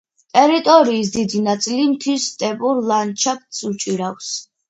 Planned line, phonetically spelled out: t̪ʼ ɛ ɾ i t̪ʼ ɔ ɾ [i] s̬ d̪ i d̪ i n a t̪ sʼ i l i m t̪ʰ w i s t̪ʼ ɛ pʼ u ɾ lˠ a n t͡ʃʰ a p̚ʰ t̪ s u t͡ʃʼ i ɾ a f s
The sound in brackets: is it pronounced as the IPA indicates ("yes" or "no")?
no